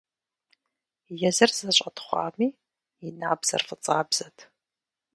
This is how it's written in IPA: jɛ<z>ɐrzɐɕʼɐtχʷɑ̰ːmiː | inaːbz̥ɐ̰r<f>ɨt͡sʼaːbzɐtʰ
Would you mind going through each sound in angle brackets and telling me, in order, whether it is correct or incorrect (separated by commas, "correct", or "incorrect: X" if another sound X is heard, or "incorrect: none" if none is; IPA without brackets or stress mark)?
correct, correct